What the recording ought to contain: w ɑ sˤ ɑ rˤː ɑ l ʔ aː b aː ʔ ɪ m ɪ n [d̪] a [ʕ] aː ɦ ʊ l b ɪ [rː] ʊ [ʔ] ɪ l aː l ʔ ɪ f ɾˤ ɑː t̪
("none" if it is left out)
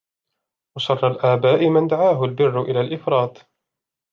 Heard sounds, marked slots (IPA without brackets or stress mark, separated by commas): d̪, ʕ, rː, ʔ